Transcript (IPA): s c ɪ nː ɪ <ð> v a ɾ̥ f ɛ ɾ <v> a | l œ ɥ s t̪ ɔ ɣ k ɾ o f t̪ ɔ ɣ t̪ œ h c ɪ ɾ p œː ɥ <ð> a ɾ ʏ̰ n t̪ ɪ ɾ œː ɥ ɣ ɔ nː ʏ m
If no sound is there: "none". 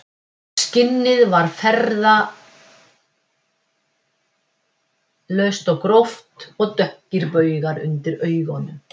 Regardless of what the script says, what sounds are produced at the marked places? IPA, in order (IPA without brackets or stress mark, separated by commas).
ð, ð, ɣ